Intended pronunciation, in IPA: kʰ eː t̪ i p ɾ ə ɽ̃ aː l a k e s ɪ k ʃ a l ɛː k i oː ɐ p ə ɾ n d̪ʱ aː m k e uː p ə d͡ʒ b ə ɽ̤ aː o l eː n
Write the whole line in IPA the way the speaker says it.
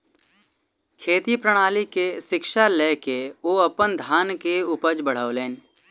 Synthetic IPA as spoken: kʰ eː t̪ i p ɾ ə ɽ̃ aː l i k e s ɪ k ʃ a l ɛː k e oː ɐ p ə n d̪ʱ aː n k e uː p ə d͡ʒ b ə ɽ̤ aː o l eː n